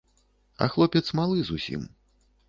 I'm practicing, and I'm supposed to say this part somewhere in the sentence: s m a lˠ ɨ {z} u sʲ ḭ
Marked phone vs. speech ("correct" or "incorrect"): correct